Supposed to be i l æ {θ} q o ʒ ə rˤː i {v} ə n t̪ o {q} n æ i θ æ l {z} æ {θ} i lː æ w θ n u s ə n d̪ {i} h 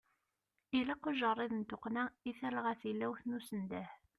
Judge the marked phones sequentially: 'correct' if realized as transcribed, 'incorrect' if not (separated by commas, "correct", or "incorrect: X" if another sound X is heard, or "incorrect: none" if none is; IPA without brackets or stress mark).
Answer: incorrect: none, incorrect: ð, correct, incorrect: ʁ, correct, incorrect: æ